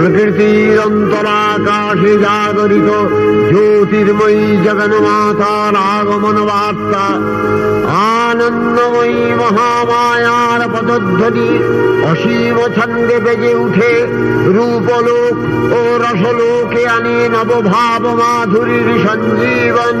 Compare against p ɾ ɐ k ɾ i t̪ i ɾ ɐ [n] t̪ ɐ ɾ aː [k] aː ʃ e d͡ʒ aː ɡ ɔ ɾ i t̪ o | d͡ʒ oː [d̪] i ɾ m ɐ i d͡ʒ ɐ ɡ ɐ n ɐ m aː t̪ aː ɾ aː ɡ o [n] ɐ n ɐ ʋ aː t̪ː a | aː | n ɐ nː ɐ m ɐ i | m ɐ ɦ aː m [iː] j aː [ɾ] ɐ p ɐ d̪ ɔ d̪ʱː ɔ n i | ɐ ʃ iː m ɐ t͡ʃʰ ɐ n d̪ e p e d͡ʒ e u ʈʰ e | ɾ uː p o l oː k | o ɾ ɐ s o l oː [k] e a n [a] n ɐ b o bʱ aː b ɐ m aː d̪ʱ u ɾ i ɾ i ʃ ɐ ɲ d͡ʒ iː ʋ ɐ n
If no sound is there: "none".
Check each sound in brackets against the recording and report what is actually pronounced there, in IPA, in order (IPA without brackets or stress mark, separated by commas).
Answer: n, k, t̪, m, aː, ɾ, k, e